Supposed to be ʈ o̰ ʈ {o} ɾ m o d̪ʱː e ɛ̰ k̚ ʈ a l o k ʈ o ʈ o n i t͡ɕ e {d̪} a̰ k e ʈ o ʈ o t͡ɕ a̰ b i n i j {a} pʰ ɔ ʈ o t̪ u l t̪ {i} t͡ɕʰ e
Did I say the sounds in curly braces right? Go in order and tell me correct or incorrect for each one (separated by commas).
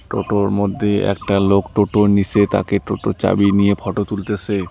correct, incorrect, incorrect, incorrect